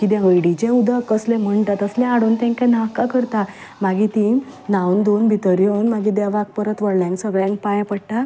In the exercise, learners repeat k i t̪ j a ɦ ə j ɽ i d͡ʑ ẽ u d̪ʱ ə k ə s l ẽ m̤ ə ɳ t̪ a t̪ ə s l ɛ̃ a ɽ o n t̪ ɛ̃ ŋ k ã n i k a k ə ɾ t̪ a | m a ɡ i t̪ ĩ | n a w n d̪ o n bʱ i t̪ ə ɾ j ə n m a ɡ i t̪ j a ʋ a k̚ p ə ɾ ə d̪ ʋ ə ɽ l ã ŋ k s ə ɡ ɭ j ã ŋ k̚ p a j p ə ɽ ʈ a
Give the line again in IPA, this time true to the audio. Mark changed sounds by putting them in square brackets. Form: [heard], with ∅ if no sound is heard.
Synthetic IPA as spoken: k i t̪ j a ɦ ə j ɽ i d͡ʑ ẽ u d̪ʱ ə k ə s l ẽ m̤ ə ɳ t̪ a t̪ ə s l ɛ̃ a ɽ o n t̪ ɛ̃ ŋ k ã n [a] k a k ə ɾ t̪ a | m a ɡ i t̪ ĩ | n a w n d̪ o n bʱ i t̪ ə ɾ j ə n m a ɡ i [d̪] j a ʋ a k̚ p ə ɾ ə [t̪] ʋ ə ɽ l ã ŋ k s ə ɡ ɭ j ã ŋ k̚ p a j p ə ɽ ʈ a

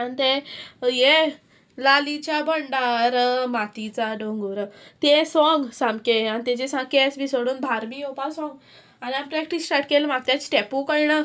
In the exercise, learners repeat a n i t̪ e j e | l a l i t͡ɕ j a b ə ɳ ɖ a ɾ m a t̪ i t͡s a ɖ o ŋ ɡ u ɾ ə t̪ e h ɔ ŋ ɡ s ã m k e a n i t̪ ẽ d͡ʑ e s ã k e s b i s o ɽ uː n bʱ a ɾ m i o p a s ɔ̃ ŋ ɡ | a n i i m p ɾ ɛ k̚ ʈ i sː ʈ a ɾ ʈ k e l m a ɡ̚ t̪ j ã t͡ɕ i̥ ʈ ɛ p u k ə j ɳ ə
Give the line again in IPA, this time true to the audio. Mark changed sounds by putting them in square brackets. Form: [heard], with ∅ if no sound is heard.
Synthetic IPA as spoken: a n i t̪ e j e | l a l i t͡ɕ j a b ə ɳ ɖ a ɾ m a t̪ i t͡s a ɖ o ŋ ɡ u ɾ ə t̪ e [s] ɔ ŋ ɡ s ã m k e a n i t̪ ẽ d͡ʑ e s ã k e s b i s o ɽ uː n bʱ a ɾ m i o p a s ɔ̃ ŋ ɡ | a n i [a] m p ɾ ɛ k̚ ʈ i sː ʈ a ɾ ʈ k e l m a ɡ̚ t̪ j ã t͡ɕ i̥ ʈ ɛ p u k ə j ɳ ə

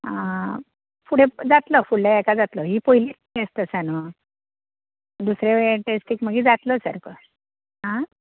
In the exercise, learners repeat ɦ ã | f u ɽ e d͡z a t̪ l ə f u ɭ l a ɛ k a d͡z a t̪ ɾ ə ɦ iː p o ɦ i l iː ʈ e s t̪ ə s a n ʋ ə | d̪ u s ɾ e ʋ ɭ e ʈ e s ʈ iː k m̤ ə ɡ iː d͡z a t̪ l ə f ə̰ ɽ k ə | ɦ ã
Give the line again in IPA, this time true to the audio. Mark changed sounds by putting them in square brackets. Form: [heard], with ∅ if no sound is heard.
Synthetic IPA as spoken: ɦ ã | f u ɽ e d͡z a t̪ l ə f u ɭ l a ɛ k a d͡z a t̪ [l] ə ɦ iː p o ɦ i l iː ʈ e s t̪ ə s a n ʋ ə | d̪ u s ɾ e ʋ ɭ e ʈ e s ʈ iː k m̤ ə ɡ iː d͡z a t̪ l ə [s] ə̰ [ɾ] k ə | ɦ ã

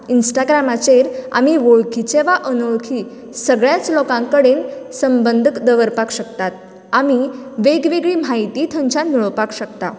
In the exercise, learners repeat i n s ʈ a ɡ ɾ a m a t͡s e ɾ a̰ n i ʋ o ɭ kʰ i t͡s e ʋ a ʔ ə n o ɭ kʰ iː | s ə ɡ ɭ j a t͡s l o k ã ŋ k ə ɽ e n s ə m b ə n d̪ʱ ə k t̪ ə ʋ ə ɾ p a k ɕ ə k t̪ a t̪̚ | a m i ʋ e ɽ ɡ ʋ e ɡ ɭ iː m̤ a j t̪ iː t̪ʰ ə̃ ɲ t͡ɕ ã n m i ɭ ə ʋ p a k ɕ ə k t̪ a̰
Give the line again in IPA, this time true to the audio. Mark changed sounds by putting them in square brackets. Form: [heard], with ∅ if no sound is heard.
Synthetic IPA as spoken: i n s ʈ a ɡ ɾ a m a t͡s e ɾ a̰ [m] i ʋ o ɭ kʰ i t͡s e ʋ a ʔ ə n o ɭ kʰ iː | s ə ɡ ɭ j a t͡s l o k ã ŋ k ə ɽ e n s ə m b ə n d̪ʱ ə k [d̪] ə ʋ ə ɾ p a k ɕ ə k t̪ a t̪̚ | a m i ʋ e [∅] ɡ ʋ e ɡ ɭ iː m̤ a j t̪ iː t̪ʰ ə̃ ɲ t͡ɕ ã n m i ɭ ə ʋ p a k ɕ ə k t̪ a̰

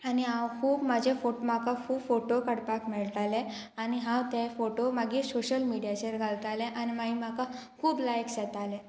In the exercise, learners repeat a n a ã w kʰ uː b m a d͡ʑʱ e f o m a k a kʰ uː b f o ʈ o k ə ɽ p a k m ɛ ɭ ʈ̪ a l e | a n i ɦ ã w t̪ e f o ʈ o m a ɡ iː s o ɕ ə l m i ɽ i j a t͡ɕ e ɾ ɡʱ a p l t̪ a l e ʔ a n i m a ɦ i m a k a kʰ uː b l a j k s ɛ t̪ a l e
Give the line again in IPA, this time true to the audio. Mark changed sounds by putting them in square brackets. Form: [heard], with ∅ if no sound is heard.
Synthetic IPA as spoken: a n [i] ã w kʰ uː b m a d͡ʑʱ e f o m a k a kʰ uː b f o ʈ o k ə ɽ p a k m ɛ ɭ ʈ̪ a l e | a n i ɦ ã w t̪ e f o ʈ o m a ɡ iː s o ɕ ə l m i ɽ i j a t͡ɕ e ɾ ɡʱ a [∅] l t̪ a l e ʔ a n i m a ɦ i m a k a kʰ uː b l a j k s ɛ t̪ a l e

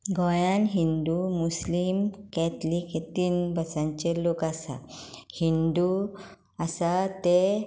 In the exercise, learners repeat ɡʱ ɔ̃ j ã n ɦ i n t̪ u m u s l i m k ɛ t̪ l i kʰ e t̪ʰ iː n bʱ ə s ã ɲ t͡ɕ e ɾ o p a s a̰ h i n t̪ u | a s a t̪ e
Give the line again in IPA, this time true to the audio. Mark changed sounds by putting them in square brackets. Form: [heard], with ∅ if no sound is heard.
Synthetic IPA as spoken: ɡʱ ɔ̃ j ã n ɦ i n [d̪] u m u s l i m k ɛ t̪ l i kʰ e [t̪] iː n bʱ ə s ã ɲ t͡ɕ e [l] o [k] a s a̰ h i n [d̪] u | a s a t̪ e

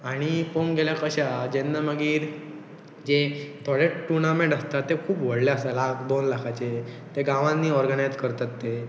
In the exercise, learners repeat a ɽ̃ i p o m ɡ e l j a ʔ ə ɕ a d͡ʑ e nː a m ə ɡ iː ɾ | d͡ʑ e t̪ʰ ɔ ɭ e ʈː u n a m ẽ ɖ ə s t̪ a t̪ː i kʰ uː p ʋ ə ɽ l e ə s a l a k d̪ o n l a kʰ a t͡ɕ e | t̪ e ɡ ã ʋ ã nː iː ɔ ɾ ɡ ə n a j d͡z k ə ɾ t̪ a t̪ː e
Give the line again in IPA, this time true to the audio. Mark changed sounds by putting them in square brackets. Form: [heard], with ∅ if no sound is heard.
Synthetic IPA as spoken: a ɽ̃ i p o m ɡ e l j a [k] ə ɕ a d͡ʑ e nː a m ə ɡ iː ɾ | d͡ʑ e t̪ʰ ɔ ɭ e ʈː u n a m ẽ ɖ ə s t̪ a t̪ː [e] kʰ uː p ʋ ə ɽ l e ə s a l a k d̪ o n l a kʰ a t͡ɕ e | t̪ e ɡ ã ʋ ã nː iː ɔ ɾ ɡ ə n a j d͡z k ə ɾ t̪ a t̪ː e

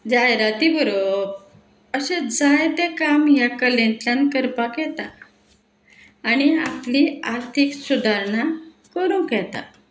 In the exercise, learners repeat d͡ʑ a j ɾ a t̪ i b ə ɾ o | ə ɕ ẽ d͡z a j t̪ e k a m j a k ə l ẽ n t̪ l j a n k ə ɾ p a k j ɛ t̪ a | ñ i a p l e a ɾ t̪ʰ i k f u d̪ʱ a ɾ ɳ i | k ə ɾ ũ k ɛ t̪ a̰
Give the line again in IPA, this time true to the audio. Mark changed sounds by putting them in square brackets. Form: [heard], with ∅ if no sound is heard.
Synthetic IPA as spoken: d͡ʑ a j ɾ a t̪ i b ə ɾ o | ə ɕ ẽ d͡z a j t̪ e k a m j a k ə l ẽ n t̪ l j a n k ə ɾ p a k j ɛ t̪ a | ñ i a p l [i] a ɾ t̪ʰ i k [s] u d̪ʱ a ɾ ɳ [a] | k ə ɾ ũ k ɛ t̪ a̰

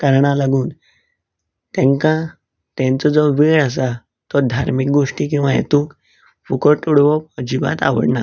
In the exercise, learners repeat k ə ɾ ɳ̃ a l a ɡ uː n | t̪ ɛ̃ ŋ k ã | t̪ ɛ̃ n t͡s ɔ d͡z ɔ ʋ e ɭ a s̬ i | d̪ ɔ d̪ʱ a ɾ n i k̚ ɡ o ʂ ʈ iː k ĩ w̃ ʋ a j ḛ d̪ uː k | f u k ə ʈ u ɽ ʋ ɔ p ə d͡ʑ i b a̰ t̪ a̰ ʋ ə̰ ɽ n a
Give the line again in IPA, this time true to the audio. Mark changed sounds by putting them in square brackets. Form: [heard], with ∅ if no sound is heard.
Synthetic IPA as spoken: k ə ɾ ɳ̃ a l a ɡ uː n | t̪ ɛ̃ ŋ k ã | t̪ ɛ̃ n t͡s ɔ d͡z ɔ ʋ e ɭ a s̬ [a] | [t̪] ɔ d̪ʱ a ɾ [m] i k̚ ɡ o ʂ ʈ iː k ĩ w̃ ʋ a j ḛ [t̪] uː k | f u k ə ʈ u ɽ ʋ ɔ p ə d͡ʑ i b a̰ t̪ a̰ ʋ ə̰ ɽ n a

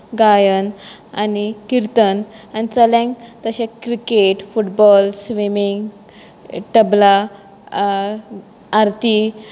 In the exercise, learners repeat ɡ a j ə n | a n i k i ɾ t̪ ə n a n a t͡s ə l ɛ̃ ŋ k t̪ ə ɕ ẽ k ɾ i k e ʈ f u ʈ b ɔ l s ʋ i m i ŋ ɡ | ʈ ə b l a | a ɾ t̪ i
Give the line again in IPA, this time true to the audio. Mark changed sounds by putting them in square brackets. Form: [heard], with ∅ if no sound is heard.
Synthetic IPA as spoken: ɡ a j ə n | a n i k i ɾ t̪ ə n a n [i] t͡s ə l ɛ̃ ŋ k t̪ ə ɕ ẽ k ɾ i k e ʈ f u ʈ b ɔ l s ʋ i m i ŋ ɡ | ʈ ə b l a | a ɾ t̪ i

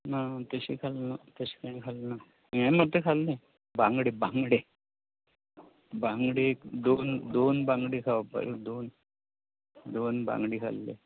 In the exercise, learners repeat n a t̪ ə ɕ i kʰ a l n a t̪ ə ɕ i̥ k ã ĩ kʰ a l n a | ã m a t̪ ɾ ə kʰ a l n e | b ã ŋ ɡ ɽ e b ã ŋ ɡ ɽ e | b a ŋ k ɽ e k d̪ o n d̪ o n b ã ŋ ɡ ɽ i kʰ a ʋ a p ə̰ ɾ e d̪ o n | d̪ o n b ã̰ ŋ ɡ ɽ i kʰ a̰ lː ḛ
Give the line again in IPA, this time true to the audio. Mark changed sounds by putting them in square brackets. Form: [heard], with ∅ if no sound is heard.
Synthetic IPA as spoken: n a t̪ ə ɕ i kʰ a l n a t̪ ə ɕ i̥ k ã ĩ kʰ a l n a | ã m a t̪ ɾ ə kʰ a l n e | b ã ŋ ɡ ɽ e b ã ŋ ɡ ɽ e | b a ŋ [ɡ] ɽ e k d̪ o n d̪ o n b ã ŋ ɡ ɽ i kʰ a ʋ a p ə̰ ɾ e d̪ o n | d̪ o n b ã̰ ŋ ɡ ɽ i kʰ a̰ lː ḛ

